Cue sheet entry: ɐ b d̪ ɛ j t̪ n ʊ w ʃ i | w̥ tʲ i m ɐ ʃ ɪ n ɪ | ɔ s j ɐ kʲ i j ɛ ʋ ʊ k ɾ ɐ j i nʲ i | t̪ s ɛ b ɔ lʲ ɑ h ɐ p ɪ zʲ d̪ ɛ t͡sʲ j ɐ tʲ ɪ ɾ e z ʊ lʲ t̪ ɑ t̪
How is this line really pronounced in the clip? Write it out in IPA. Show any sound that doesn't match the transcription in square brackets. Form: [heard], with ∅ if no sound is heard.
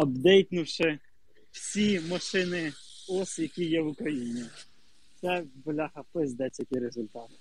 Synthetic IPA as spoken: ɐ b d̪ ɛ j t̪ n ʊ w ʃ [ɪ] | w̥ [sʲ] i m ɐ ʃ ɪ n ɪ | ɔ s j ɐ kʲ i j ɛ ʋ ʊ k ɾ ɐ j i nʲ i | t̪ s ɛ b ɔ lʲ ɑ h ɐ p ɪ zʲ d̪ ɛ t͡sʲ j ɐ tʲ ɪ ɾ e z ʊ lʲ t̪ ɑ t̪